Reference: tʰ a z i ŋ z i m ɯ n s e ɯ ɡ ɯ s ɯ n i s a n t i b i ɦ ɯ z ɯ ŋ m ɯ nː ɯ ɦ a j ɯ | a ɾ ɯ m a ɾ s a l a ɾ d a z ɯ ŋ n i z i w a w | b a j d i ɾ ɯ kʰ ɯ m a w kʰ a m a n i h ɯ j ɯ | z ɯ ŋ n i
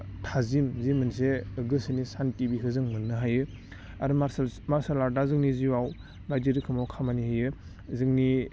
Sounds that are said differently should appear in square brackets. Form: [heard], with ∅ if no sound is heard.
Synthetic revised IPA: tʰ a z i [m] z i m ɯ n s e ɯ ɡ ɯ s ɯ n i s a n t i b i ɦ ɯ z ɯ ŋ m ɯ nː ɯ ɦ a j ɯ | a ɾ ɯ m a ɾ s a l a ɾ d a z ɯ ŋ n i z i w a w | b a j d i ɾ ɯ kʰ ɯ m a w kʰ a m a n i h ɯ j ɯ | z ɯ ŋ n i